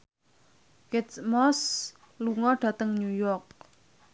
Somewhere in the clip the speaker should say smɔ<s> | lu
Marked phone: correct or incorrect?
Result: correct